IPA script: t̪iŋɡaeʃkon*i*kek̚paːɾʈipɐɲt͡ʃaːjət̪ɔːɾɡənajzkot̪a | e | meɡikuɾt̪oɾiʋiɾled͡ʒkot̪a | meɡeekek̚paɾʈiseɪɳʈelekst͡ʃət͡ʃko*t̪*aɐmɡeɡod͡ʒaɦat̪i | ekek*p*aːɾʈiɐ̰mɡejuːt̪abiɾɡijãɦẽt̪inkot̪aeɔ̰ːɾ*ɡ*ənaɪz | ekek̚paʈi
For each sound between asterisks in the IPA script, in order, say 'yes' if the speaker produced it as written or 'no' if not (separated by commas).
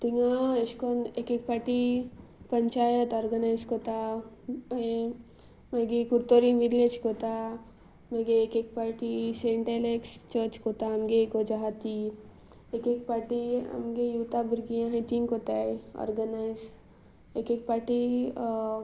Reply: no, yes, yes, yes